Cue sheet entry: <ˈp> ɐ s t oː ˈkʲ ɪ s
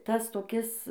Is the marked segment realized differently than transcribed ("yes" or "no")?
yes